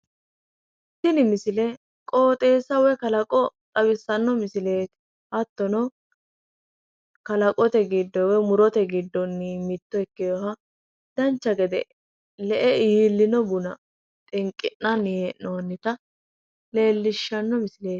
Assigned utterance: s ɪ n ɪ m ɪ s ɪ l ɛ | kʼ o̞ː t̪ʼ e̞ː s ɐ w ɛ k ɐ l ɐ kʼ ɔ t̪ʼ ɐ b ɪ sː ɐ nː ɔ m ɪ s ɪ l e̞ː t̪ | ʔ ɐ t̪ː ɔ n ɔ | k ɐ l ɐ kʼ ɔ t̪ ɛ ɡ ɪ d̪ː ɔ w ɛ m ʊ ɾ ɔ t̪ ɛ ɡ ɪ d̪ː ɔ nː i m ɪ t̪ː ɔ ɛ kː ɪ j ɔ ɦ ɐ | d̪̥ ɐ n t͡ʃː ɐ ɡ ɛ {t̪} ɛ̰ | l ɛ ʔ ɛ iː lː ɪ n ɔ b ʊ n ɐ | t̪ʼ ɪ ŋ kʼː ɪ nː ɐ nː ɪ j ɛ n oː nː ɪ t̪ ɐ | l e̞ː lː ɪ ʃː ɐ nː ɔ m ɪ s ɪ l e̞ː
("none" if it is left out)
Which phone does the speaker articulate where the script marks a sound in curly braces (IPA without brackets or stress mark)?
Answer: d̪